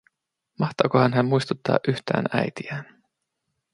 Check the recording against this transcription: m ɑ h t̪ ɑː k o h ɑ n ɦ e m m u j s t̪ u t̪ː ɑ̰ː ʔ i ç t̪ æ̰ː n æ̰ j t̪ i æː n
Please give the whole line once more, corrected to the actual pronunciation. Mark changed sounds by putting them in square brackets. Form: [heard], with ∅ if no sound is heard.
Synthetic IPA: m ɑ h t̪ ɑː k o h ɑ n ɦ [æ] m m u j s t̪ u t̪ː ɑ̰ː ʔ [y] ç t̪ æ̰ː n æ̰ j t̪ i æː n